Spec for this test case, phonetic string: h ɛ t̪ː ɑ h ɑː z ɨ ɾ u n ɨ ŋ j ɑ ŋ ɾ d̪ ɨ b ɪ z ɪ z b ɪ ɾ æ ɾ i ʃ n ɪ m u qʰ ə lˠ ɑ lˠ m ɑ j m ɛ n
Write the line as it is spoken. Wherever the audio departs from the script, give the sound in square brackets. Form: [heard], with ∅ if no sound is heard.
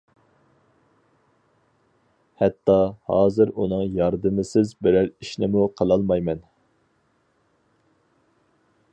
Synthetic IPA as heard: h ɛ t̪ː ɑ h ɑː z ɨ ɾ u n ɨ ŋ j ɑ [∅] ɾ d̪ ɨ [m] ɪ [s] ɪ z b ɪ ɾ æ ɾ i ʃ n ɪ m u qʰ ə lˠ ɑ lˠ m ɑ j m ɛ n